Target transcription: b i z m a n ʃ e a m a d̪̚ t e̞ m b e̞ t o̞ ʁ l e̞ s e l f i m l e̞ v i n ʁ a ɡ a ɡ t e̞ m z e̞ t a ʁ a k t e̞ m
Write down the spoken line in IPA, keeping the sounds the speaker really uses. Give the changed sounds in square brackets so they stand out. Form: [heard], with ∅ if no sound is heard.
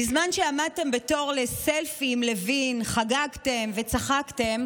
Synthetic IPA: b i z m a n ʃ e a m a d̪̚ t e̞ m b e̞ t o̞ ʁ l e̞ s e l f i m l e̞ v i n [χ] a ɡ a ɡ t e̞ m [v] e̞ [t͡s] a [χ] a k t e̞ m